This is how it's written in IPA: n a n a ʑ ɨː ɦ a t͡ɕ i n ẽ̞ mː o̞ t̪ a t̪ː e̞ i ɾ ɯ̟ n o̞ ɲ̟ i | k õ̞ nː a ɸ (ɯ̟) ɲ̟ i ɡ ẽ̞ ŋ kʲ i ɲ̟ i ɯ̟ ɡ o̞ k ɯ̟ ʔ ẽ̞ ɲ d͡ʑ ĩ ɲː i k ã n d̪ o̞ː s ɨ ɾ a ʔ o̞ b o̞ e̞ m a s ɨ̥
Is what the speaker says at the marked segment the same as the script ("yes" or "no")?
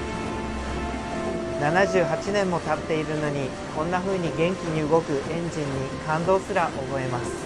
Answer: no